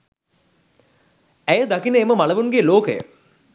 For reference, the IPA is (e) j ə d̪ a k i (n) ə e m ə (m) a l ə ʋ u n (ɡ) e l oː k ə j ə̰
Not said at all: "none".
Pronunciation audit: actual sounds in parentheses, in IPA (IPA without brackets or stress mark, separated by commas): æ, n, m, ɡ